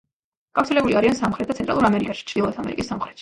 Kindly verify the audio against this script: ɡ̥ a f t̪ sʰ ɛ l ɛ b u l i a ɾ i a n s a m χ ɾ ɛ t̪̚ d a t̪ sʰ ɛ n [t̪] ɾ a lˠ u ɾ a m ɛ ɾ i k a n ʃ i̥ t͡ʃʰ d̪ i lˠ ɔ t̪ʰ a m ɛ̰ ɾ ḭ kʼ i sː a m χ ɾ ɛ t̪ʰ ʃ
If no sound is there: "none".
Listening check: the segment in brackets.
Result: t̪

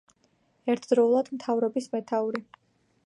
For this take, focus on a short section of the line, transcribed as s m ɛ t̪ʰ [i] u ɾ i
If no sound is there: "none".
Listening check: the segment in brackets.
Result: a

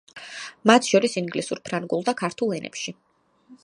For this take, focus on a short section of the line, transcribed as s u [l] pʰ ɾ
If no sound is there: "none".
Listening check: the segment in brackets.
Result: ɾ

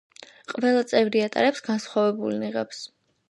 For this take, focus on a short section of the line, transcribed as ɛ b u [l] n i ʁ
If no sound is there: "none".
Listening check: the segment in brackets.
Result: l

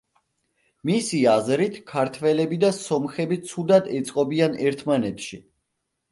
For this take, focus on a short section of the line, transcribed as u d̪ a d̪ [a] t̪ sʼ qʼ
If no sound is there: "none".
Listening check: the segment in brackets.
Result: ɛ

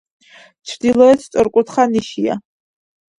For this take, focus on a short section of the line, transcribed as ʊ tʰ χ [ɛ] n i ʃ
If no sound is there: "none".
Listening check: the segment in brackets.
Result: a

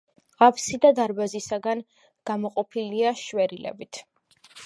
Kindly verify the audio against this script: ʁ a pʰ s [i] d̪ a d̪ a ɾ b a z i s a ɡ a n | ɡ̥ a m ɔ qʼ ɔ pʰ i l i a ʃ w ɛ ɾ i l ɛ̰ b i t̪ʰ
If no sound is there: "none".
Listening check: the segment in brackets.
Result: i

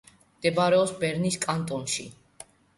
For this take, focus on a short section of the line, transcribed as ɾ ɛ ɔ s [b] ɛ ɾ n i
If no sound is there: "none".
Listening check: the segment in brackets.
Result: b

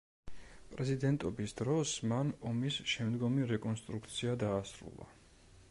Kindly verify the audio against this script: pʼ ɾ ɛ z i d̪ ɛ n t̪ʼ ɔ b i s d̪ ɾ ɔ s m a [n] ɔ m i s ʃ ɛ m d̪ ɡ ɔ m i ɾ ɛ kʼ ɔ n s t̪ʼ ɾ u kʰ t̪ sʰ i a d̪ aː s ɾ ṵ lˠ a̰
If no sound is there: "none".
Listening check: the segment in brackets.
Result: n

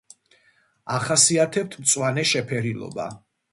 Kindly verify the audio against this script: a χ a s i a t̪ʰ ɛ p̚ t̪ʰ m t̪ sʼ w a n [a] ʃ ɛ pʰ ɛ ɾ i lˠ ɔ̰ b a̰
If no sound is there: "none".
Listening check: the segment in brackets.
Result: ɛ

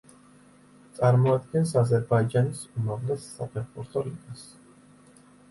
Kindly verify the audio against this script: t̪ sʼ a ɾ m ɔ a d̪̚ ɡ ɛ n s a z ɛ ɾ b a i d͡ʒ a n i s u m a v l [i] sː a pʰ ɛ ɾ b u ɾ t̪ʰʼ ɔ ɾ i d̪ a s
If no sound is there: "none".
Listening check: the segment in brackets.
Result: ɛ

